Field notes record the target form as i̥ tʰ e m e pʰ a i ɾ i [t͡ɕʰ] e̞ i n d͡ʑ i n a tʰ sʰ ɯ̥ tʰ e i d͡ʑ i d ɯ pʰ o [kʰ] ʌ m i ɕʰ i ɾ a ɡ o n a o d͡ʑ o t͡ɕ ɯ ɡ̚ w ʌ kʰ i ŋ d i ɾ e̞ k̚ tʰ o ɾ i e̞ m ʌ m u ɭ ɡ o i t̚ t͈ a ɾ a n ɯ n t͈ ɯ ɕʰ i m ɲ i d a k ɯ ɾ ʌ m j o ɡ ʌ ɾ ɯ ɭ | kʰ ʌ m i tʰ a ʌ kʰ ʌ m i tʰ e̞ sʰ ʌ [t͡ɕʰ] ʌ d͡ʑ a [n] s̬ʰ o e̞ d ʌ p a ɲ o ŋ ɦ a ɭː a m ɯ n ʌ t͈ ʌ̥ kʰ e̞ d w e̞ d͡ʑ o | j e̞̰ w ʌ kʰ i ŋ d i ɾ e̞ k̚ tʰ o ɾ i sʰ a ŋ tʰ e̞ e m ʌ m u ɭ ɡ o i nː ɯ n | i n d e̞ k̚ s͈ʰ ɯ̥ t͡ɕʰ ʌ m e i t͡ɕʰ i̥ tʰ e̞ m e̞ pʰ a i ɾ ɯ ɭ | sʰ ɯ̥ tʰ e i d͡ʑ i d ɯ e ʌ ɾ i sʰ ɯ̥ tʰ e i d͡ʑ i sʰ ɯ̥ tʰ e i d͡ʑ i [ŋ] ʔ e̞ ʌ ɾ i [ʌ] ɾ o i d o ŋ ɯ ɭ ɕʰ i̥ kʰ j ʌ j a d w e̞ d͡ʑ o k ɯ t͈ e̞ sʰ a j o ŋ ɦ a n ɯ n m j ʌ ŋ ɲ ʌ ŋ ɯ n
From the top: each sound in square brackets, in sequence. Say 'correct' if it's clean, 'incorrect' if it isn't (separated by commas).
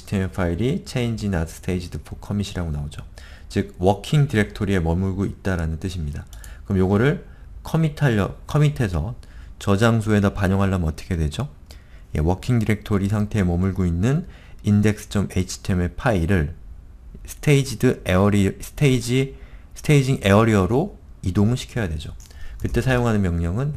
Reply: correct, correct, incorrect, incorrect, correct, correct